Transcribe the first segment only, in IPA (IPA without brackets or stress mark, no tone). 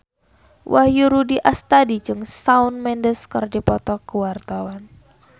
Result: w